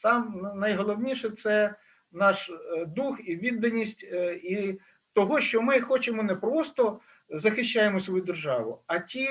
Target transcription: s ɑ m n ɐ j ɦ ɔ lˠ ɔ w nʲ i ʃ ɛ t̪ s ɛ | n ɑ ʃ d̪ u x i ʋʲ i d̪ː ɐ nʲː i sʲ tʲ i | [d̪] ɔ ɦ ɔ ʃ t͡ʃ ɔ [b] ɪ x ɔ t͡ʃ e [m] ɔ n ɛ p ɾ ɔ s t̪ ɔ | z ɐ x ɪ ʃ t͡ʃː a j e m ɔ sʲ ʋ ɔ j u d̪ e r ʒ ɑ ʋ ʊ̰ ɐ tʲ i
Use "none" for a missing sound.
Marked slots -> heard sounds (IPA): t̪, m, m

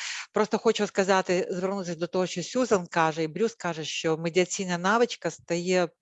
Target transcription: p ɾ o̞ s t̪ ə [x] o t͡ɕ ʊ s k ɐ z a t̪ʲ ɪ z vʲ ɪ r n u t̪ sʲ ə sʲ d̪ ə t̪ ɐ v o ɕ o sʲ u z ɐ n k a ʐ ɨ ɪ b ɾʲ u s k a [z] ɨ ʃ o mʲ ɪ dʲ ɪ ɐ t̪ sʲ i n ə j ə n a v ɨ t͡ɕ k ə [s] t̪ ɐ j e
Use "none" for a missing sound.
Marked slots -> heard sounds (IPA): x, ʐ, s

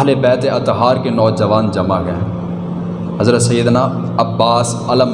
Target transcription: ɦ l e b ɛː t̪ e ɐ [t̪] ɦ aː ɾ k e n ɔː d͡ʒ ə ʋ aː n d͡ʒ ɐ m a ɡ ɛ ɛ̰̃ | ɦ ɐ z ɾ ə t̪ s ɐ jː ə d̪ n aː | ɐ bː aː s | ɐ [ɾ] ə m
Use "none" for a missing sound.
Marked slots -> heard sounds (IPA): t̪, l

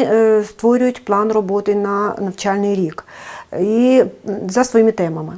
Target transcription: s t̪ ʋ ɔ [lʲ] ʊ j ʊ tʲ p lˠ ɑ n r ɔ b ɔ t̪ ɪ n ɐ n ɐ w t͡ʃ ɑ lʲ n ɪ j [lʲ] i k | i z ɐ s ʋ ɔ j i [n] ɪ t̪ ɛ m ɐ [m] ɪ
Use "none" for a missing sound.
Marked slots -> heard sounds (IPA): ɾʲ, ɾʲ, m, m

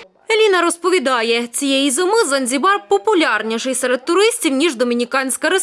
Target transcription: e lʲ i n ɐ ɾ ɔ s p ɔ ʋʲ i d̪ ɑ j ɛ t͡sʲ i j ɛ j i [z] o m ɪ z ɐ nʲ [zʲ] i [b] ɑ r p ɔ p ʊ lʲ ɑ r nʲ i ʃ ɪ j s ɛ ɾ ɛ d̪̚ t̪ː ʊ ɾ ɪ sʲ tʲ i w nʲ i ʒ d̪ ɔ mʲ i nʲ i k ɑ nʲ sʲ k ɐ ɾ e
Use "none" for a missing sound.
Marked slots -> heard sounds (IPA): z, zʲ, b

